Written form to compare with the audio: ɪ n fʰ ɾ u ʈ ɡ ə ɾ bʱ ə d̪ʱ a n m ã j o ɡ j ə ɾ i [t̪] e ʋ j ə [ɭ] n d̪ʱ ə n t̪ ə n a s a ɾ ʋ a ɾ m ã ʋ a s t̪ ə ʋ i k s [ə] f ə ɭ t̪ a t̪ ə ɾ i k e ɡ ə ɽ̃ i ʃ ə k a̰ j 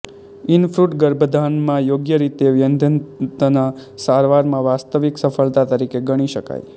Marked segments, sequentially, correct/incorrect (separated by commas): correct, incorrect, correct